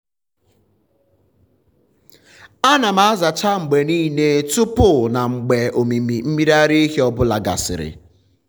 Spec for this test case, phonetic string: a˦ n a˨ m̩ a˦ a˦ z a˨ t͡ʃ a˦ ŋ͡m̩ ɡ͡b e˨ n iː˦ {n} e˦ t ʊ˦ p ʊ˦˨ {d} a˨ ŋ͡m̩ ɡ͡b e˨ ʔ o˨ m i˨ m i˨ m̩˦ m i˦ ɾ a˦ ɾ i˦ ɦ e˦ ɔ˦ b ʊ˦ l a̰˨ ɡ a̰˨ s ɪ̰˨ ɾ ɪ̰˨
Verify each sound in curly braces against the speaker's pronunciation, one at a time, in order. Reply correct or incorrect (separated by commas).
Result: correct, incorrect